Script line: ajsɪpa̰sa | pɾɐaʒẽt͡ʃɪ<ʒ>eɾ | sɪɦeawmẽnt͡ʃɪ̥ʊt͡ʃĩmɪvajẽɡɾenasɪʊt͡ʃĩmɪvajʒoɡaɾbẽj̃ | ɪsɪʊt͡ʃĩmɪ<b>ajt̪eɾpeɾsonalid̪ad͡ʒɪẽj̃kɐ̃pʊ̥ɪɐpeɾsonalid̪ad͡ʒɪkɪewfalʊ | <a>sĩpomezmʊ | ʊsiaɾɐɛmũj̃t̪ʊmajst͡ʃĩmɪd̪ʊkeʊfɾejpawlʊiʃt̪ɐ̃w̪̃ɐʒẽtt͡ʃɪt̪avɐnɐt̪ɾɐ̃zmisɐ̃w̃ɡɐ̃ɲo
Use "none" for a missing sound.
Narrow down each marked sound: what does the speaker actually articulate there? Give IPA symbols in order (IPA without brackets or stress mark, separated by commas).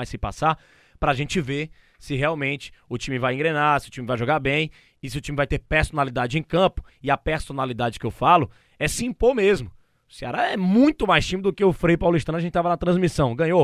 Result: v, v, ɛ